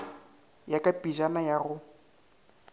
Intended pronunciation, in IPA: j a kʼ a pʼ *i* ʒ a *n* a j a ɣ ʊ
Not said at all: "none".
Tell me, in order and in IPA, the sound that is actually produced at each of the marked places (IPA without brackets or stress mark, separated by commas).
i, n